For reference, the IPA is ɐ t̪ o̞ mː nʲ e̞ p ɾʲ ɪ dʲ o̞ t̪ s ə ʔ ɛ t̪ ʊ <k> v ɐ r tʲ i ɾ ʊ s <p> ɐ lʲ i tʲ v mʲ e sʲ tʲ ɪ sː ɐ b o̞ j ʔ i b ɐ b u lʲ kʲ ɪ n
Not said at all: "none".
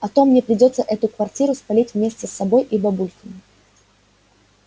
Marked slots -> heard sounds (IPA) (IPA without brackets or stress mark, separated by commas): k, p